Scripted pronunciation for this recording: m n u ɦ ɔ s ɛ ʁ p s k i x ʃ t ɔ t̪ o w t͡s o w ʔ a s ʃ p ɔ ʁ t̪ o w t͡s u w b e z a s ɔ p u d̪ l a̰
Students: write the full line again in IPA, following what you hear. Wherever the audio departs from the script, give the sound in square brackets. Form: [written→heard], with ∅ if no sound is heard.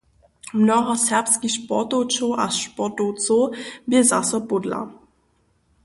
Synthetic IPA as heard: m n [u→ɔ] ɦ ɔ s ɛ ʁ p s k i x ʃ [t→p] ɔ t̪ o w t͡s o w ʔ a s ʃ p ɔ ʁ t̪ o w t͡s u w b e z a s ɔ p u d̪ l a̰